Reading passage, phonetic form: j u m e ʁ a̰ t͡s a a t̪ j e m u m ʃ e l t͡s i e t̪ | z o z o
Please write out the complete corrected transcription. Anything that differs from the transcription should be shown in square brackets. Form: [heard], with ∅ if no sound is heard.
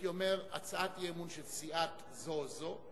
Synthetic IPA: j [o] m e ʁ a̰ t͡s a a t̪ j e m u [n] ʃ e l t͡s i [a] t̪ | z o z o